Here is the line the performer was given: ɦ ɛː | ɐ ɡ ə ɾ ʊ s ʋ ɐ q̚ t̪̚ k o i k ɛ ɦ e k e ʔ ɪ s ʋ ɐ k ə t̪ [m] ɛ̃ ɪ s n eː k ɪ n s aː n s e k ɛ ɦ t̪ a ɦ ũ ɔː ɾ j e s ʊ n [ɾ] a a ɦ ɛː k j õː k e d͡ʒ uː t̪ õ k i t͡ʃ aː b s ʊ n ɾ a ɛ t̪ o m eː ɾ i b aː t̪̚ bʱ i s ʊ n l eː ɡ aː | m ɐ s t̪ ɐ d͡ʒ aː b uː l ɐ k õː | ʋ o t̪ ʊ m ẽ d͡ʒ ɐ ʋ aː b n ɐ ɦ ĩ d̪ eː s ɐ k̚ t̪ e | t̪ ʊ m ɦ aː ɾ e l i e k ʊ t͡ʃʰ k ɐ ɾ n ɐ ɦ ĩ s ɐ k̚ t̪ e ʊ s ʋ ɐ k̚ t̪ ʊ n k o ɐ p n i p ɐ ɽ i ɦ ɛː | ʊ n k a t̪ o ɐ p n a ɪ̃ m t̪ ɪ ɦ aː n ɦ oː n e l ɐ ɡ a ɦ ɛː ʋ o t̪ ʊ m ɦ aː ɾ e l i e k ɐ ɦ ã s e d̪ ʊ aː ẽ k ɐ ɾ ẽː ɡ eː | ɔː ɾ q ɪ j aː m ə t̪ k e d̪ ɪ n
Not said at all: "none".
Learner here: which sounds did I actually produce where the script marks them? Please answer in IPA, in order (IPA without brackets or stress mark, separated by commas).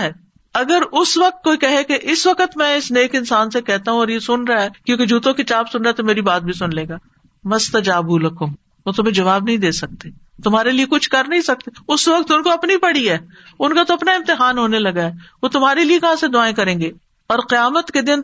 m, ɾ